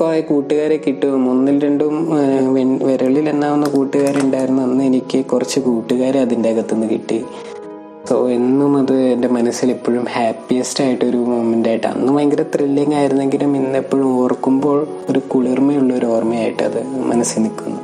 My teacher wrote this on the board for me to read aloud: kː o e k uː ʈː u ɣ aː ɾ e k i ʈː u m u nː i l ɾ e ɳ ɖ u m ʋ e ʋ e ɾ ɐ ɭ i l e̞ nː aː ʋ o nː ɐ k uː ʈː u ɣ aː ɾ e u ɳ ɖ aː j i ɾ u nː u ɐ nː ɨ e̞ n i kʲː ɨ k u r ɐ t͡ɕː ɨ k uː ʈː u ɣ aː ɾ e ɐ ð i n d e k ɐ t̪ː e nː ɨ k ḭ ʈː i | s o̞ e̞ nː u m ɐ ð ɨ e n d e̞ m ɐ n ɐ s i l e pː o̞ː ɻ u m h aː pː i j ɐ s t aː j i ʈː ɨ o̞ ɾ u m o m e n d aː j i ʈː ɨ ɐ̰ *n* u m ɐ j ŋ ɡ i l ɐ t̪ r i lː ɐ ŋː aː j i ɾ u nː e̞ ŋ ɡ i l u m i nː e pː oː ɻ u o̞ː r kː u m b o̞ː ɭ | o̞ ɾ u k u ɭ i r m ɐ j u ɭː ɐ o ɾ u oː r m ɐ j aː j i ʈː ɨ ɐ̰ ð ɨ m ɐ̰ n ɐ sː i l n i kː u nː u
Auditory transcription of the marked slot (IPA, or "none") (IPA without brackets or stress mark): nː